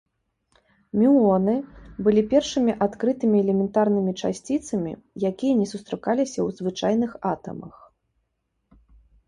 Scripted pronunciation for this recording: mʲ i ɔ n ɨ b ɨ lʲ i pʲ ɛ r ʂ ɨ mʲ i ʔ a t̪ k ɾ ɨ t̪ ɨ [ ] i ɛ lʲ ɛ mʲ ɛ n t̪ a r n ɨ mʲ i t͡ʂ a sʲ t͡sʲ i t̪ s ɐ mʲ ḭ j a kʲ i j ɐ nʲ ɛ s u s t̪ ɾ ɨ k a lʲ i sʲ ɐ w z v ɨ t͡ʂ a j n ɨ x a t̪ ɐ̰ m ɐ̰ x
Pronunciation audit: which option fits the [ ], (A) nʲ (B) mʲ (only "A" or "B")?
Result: B